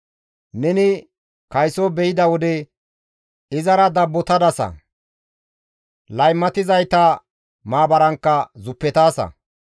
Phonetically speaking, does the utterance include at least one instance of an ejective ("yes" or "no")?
no